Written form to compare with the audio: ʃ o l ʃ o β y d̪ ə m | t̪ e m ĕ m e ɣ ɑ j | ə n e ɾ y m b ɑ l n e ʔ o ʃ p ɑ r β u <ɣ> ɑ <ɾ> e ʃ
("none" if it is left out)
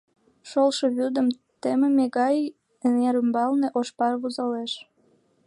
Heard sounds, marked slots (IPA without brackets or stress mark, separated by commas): z, l